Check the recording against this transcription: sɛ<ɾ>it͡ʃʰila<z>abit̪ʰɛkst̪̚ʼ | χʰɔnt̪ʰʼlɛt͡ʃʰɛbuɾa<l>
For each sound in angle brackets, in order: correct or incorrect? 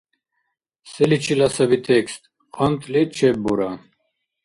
incorrect: l, incorrect: s, incorrect: none

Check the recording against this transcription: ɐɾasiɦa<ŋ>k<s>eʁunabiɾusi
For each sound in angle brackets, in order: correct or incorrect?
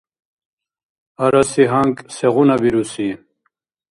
correct, correct

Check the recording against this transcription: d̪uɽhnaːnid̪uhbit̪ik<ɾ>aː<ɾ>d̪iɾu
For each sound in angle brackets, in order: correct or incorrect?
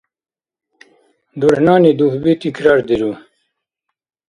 correct, correct

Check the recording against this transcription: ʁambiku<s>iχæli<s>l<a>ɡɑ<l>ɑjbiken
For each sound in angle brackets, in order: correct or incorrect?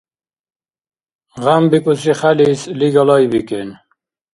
correct, correct, incorrect: i, correct

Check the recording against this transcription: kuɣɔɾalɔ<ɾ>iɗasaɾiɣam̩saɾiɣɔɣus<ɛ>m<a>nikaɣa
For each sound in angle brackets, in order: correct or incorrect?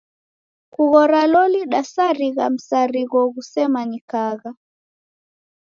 incorrect: l, correct, correct

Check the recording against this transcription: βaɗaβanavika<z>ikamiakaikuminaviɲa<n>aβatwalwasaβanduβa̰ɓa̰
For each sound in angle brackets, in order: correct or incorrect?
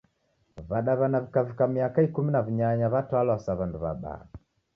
incorrect: v, incorrect: ɲ

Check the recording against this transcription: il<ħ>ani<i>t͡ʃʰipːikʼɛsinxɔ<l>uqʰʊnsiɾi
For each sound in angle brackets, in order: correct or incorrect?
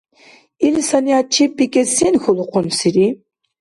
incorrect: s, incorrect: a, correct

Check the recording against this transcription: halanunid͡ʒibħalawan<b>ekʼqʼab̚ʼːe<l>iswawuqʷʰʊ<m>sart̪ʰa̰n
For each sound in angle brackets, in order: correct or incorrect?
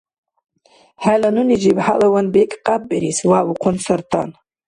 correct, incorrect: ɾ, incorrect: n

